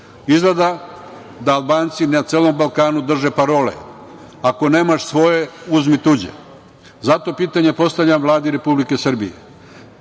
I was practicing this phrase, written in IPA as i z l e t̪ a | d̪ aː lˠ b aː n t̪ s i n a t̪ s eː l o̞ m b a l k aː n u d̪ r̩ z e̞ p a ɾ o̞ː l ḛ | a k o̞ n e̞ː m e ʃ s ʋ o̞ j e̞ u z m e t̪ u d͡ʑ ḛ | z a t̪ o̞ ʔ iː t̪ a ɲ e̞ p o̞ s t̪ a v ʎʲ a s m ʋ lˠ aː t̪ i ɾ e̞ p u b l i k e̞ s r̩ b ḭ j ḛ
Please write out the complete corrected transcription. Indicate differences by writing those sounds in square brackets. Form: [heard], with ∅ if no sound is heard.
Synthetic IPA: i z l e [d̪] a | d̪ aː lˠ b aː n t̪ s i n a t̪ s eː l o̞ m b a l k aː n u d̪ r̩ [ʒ] e̞ p a ɾ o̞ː l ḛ | a k o̞ n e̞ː m [a] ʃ s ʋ o̞ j e̞ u z m [i] t̪ u d͡ʑ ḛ | z a t̪ o̞ [p] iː t̪ a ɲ e̞ p o̞ s t̪ a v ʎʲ a [∅] m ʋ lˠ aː [d̪] i ɾ e̞ p u b l i k e̞ s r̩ b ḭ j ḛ

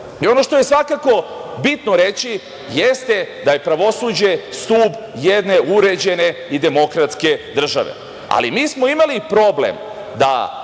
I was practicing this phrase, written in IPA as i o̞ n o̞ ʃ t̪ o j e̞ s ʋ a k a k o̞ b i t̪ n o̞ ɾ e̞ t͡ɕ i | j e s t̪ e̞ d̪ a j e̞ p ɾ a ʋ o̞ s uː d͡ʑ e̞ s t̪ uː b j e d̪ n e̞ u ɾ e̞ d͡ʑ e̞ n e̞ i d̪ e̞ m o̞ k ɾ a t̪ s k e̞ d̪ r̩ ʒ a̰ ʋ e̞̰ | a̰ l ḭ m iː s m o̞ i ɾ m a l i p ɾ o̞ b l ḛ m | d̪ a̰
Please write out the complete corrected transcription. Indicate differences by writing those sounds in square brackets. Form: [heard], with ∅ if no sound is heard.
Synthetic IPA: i o̞ n o̞ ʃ t̪ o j e̞ s ʋ a k a k o̞ b i t̪ n o̞ ɾ e̞ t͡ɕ i | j e s t̪ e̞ d̪ a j e̞ p ɾ a ʋ o̞ s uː d͡ʑ e̞ s t̪ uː b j e d̪ n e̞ u ɾ e̞ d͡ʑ e̞ n e̞ i d̪ e̞ m o̞ k ɾ a t̪ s k e̞ d̪ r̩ ʒ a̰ ʋ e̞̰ | a̰ l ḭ m iː s m o̞ i [∅] m a l i p ɾ o̞ b l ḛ m | d̪ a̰

